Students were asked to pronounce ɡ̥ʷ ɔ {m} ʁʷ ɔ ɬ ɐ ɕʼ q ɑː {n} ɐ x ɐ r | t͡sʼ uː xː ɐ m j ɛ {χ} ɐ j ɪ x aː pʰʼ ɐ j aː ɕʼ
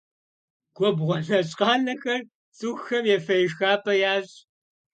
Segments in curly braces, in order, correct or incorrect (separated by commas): incorrect, correct, incorrect